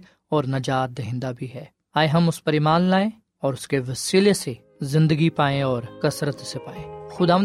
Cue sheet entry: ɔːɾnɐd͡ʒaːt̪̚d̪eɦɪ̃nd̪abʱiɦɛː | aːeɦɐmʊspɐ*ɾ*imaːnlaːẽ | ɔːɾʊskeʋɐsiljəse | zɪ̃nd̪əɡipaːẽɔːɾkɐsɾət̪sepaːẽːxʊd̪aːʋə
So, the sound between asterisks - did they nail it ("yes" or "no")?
yes